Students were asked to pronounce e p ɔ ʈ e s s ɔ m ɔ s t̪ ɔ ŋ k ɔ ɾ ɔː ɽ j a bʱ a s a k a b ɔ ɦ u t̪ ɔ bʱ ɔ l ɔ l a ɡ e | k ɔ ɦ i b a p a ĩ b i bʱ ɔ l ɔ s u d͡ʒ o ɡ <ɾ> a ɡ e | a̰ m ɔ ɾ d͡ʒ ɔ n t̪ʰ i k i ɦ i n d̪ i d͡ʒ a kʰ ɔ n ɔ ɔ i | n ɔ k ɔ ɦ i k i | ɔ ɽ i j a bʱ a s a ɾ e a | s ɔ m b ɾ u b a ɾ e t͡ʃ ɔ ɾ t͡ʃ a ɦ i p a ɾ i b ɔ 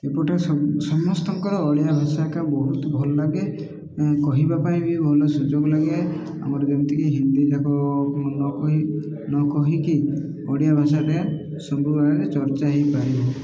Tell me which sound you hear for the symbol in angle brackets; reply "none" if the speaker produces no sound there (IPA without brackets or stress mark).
l